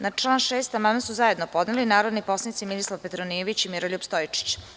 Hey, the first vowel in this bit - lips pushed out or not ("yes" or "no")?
no